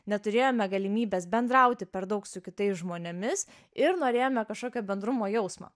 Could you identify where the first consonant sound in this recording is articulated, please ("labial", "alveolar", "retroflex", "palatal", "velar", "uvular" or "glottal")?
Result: alveolar